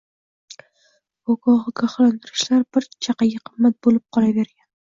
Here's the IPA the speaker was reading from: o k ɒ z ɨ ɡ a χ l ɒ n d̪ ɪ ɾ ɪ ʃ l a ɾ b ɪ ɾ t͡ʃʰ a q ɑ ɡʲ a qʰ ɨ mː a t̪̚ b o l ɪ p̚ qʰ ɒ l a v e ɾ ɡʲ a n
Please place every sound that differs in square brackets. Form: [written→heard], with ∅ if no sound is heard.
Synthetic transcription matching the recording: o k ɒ [z→ʁ] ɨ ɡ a χ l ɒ n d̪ ɪ ɾ ɪ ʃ l a ɾ b ɪ ɾ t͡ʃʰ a q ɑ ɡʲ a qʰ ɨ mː a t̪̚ b o l ɪ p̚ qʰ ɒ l a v e ɾ ɡʲ a n